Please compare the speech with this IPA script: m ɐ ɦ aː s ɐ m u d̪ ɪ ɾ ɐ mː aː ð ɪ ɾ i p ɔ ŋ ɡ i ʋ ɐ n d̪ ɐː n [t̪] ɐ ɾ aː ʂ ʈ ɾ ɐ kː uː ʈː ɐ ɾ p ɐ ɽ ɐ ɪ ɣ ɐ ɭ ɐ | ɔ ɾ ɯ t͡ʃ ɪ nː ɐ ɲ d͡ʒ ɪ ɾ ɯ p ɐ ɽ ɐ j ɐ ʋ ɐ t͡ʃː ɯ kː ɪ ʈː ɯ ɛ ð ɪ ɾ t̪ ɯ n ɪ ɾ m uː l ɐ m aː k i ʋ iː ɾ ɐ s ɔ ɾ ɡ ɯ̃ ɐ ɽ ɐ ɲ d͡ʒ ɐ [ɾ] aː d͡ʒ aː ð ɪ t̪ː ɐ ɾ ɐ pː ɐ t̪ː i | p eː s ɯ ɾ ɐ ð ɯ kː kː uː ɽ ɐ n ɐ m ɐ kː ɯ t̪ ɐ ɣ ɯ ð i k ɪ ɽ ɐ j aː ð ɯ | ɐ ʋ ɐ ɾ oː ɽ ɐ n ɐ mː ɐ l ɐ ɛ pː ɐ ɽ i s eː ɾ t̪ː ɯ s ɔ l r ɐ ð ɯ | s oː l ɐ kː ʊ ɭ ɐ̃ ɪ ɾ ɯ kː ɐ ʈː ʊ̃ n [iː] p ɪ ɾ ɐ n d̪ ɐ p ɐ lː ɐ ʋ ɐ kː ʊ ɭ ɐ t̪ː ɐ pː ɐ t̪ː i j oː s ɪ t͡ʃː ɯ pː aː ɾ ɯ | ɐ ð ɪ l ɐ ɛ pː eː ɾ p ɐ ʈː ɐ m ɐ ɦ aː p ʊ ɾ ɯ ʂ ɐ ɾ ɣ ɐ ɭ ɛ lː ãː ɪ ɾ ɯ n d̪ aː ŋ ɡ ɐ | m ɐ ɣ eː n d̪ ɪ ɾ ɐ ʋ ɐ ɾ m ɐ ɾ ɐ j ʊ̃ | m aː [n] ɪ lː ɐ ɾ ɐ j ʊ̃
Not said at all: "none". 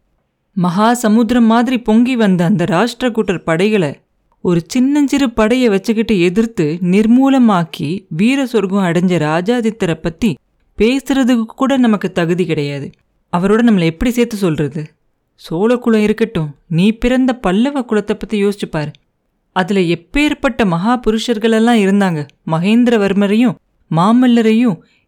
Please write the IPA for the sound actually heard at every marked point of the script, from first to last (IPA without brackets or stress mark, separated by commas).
d̪, ɾ, iː, m